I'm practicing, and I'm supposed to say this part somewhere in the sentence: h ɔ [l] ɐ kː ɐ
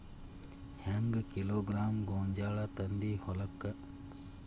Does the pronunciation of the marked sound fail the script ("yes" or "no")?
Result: no